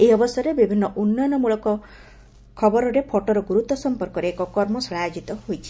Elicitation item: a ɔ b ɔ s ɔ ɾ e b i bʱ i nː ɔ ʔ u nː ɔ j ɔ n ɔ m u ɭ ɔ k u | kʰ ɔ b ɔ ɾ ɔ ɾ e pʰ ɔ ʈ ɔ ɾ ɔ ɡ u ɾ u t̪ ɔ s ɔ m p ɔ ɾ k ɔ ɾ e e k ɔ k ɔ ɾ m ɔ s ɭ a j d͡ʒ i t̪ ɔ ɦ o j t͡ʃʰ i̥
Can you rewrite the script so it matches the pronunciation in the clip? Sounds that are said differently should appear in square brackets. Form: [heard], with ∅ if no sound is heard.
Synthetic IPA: [e] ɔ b ɔ s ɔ ɾ e b i bʱ i nː ɔ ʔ u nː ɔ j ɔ n ɔ m u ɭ ɔ k [ɔ] | kʰ ɔ b ɔ ɾ ɔ ɾ e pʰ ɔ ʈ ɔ ɾ ɔ ɡ u ɾ u t̪ ɔ s ɔ m p ɔ ɾ k ɔ ɾ e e k ɔ k ɔ ɾ m ɔ s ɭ a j d͡ʒ i t̪ ɔ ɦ o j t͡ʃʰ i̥